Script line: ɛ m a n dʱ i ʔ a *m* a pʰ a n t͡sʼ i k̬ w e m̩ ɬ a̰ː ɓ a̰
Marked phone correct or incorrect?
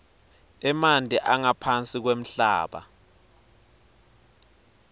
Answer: incorrect